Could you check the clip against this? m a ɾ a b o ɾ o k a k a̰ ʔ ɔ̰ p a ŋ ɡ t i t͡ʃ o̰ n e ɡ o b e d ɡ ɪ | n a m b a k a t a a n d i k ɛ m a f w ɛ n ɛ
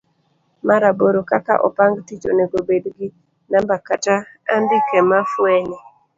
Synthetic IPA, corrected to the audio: m a ɾ a b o ɾ o k a k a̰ ʔ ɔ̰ p a ŋ ɡ t i t͡ʃ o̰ n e ɡ o b e d ɡ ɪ | n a m b a k a t a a n d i k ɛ m a f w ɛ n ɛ

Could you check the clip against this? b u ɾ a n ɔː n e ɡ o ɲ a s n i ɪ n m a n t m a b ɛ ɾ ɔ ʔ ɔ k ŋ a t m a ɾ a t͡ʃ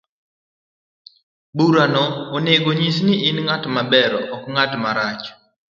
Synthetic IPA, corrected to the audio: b u ɾ a n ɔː n e ɡ o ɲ i s n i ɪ n ŋ a t m a b ɛ ɾ ɔ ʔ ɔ k ŋ a t m a ɾ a t͡ʃ

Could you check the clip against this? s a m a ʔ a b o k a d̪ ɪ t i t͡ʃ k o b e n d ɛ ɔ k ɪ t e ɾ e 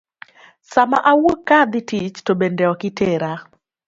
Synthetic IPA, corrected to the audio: s a m a ʔ a w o k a d̪ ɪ t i t͡ʃ t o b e n d ɛ ɔ k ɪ t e ɾ a

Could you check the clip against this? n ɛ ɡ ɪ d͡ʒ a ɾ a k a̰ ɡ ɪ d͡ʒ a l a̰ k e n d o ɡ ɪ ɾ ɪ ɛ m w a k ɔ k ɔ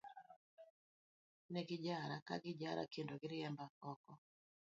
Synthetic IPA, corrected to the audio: n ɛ ɡ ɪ d͡ʒ a ɾ a k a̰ ɡ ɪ d͡ʒ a ɾ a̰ k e n d o ɡ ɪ ɾ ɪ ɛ m b a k ɔ k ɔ

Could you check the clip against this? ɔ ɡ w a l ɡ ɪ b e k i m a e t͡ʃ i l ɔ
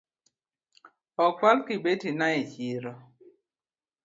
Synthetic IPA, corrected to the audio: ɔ k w a l k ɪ b e t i n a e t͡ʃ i ɾ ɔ

